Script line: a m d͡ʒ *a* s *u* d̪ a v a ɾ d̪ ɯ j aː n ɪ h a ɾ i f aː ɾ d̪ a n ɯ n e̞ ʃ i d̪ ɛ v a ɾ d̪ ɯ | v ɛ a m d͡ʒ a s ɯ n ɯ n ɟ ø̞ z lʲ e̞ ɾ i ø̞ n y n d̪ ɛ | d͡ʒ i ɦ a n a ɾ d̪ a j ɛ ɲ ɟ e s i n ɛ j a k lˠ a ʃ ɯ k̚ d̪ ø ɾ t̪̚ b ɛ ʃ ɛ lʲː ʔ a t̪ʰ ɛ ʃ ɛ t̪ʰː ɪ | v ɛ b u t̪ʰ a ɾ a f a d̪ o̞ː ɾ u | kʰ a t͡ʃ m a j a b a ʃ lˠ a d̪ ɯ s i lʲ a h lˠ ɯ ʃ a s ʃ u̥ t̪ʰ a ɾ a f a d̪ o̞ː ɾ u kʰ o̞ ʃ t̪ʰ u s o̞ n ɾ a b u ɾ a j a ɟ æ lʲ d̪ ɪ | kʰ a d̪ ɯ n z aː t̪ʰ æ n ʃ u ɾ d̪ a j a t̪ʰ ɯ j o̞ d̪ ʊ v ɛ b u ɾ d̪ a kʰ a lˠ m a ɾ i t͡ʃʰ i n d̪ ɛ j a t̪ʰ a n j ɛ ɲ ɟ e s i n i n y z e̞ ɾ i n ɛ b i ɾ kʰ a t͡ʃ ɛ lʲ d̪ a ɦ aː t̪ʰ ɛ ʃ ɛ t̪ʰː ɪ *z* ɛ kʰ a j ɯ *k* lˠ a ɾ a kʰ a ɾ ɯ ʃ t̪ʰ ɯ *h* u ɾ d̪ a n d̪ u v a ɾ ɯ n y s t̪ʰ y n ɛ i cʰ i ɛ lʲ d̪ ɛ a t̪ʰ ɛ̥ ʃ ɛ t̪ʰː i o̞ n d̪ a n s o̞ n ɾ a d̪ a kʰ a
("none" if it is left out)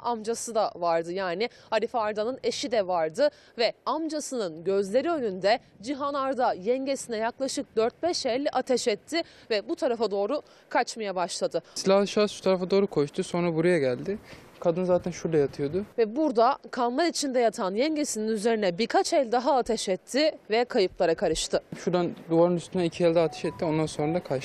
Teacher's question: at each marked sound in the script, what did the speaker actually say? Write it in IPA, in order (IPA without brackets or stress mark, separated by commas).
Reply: a, ɯ, v, p, ʃ